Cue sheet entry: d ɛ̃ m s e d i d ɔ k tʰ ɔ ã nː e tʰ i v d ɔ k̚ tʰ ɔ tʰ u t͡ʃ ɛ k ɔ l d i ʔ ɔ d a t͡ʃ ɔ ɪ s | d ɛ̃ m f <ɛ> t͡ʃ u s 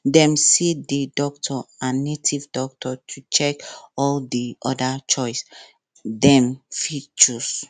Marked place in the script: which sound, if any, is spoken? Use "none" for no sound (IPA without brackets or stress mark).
i